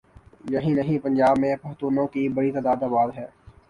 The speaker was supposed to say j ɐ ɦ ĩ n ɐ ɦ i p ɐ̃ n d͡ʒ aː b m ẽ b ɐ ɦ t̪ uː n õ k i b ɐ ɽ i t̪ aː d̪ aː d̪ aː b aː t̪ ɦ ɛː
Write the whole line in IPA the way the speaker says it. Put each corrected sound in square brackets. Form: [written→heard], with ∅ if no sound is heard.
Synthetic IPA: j ɐ ɦ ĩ n ɐ ɦ [i→ĩ] p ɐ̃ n d͡ʒ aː b m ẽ [b→p] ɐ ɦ t̪ uː n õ k i b ɐ ɽ i t̪ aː d̪ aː d̪ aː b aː [t̪→d̪] ɦ ɛː